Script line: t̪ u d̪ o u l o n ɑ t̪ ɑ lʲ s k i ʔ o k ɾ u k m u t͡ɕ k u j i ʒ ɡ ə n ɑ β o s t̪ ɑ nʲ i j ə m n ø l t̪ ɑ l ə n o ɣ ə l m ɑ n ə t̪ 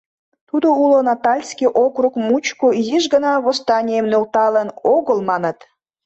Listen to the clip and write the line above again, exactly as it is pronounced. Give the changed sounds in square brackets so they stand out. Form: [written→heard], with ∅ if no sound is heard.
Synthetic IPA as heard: t̪ u d̪ o u l o n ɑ t̪ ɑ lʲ s k i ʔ o k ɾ u k m u t͡ɕ k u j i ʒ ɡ ə n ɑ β o s t̪ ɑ nʲ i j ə m n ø l t̪ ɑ l ə n o ɣ ə l m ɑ n ə t̪